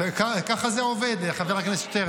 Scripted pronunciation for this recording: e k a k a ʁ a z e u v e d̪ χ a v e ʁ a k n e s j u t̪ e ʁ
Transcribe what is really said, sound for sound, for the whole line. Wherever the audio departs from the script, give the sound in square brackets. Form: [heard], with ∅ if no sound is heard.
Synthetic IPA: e k a k a [χ] a z e [o] v e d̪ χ a v e ʁ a k n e s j [o] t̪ e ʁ